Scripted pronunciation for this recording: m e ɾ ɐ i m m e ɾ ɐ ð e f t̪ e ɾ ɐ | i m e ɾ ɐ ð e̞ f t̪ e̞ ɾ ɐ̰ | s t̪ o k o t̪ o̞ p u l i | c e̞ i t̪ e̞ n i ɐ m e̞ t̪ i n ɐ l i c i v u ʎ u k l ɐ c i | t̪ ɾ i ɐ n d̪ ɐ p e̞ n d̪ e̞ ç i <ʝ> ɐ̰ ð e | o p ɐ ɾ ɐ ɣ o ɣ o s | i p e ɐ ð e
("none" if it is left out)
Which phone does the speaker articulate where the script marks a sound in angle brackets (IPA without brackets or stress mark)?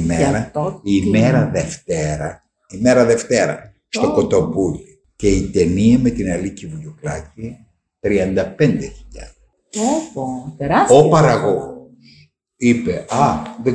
ʎ